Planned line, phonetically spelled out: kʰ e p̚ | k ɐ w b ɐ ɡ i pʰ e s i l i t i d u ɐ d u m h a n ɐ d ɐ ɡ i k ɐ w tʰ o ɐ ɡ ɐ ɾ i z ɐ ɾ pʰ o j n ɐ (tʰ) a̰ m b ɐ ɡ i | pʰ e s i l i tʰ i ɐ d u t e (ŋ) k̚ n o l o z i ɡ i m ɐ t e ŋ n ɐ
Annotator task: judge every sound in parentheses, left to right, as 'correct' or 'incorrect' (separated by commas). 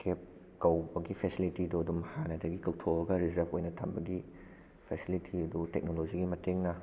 correct, incorrect